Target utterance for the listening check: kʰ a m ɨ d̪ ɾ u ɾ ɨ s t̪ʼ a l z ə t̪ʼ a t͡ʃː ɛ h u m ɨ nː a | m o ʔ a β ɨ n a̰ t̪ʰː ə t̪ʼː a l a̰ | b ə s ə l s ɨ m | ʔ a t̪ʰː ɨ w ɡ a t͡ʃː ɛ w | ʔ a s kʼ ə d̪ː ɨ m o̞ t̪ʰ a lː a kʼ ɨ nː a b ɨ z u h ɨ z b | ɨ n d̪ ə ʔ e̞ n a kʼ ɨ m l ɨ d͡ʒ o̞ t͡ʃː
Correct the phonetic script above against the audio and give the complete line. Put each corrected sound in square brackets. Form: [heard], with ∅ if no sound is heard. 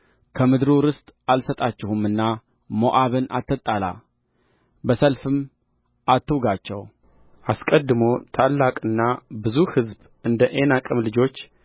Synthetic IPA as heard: kʰ [ə] m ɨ d̪ ɾ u ɾ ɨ s t̪ʼ a l [s] ə t̪ʼ a t͡ʃː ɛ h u m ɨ nː a | m o ʔ a β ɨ n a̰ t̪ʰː ə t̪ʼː a l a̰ | b ə s ə l [f] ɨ m | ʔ a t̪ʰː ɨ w ɡ a t͡ʃː ɛ w | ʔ a s kʼ ə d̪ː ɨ m o̞ t̪ʰ a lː a kʼ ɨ nː a b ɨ z u h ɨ z b | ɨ n d̪ ə ʔ e̞ n a kʼ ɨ m l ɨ d͡ʒ o̞ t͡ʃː

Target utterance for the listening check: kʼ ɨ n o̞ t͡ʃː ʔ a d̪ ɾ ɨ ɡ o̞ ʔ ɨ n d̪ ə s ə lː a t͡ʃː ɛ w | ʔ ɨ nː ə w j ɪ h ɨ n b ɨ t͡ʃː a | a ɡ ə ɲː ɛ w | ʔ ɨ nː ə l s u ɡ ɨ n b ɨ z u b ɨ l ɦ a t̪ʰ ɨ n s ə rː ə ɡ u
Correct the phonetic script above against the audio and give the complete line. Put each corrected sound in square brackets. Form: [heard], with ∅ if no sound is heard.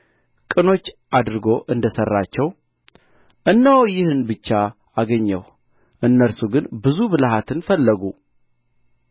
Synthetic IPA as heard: kʼ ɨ n o̞ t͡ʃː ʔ a d̪ ɾ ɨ ɡ o̞ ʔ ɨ n d̪ ə s ə [rː] a t͡ʃː ɛ w | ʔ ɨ nː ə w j ɪ h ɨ n b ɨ t͡ʃː a | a ɡ ə ɲː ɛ w | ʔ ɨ nː ə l s u ɡ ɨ n b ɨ z u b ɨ l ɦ a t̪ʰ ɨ n [f] ə [lː] ə ɡ u

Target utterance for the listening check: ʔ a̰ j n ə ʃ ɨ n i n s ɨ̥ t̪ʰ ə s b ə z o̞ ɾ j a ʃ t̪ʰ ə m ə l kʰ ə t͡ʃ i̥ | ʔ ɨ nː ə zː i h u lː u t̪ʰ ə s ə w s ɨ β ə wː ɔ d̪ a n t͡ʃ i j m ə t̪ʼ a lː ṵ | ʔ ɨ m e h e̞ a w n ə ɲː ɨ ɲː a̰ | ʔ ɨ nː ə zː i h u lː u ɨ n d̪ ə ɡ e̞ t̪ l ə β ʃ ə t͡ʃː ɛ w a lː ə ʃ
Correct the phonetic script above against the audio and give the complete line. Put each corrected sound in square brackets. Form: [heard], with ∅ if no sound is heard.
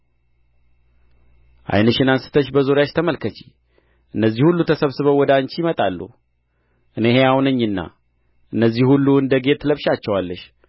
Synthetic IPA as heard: ʔ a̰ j n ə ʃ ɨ n [a] n s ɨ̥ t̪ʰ ə [ʃ] b ə z o̞ ɾ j a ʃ t̪ʰ ə m ə l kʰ ə t͡ʃ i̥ | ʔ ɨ nː ə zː i h u lː u t̪ʰ ə s ə [β] s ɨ β ə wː ɔ d̪ a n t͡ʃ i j m ə t̪ʼ a lː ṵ | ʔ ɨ [n] e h e̞ a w n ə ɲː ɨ [nː] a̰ | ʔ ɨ nː ə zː i h u lː u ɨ n d̪ ə ɡ e̞ t̪ l ə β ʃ [a] t͡ʃː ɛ w a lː ə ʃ

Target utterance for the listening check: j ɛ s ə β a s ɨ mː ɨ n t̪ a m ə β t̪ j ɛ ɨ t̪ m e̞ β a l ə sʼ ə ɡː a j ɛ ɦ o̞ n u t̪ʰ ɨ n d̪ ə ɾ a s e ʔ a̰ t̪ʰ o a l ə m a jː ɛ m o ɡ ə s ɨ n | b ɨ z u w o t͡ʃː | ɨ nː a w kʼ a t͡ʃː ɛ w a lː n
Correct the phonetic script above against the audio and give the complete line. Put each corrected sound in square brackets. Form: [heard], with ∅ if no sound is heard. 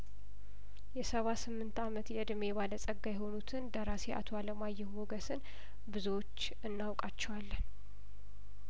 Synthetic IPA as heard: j ɛ s ə β a s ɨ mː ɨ n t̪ a m ə [∅] t̪ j ɛ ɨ [d̪] m e̞ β a l ə sʼ ə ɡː a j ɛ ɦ o̞ n u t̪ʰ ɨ n d̪ ə ɾ a s e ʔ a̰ t̪ʰ o a l ə m a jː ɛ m o ɡ ə s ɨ n | b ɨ z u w o t͡ʃː | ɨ nː a w kʼ a t͡ʃː ɛ w a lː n

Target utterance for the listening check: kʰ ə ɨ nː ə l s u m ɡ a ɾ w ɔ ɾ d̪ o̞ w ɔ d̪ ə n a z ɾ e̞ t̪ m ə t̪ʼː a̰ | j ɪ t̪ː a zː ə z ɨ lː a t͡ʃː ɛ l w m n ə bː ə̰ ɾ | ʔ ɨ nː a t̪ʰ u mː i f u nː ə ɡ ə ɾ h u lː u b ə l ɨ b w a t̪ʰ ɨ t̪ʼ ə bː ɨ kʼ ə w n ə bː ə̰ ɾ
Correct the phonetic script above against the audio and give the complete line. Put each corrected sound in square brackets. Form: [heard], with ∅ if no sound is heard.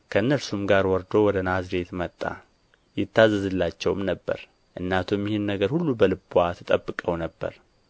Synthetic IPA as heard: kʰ ə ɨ nː ə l s u m ɡ a ɾ w ɔ ɾ d̪ o̞ w ɔ d̪ ə n a z ɾ e̞ t̪ m ə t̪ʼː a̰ | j ɪ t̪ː a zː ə z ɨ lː a t͡ʃː ɛ [∅] w m n ə bː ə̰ ɾ | ʔ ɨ nː a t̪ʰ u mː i [h] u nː ə ɡ ə ɾ h u lː u b ə l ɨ b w a t̪ʰ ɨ t̪ʼ ə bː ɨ kʼ ə w n ə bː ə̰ ɾ

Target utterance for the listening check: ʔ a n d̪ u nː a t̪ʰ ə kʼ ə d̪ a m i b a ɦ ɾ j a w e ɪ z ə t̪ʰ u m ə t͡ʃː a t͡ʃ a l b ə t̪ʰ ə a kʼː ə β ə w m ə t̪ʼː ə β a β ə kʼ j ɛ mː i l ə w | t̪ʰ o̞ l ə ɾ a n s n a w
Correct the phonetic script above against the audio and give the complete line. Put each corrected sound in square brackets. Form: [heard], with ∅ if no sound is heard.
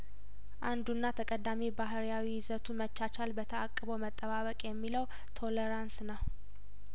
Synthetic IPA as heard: ʔ a n d̪ u nː a t̪ʰ ə kʼ ə d̪ a m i b a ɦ ɾ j a w [i] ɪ z ə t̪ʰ u m ə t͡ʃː a t͡ʃ a l b ə t̪ʰ ə a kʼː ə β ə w m ə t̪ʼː ə β a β ə kʼ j ɛ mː i l ə w | t̪ʰ o̞ l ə ɾ a n s n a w

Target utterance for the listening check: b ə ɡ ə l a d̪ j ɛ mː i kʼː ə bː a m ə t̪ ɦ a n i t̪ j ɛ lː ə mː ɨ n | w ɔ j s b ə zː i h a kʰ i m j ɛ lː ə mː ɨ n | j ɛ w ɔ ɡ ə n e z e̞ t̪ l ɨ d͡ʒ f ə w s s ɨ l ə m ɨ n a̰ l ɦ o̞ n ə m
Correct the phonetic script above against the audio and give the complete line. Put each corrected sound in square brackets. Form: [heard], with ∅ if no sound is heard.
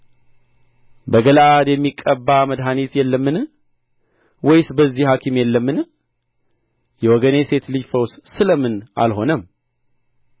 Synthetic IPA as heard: b ə ɡ ə l a d̪ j ɛ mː i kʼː ə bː a m ə [d̪] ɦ a n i t̪ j ɛ lː ə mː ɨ n | w ɔ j s b ə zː i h a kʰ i m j ɛ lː ə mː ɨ n | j ɛ w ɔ ɡ ə n e [s] e̞ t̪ l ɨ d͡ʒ f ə w s s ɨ l ə m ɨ n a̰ l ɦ o̞ n ə m

